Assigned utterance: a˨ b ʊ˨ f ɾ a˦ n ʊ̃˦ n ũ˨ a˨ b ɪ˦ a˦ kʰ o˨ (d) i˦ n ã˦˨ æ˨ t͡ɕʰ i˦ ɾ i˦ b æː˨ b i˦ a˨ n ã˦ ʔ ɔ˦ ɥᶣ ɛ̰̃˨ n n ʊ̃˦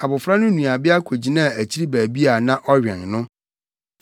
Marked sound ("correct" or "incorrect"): incorrect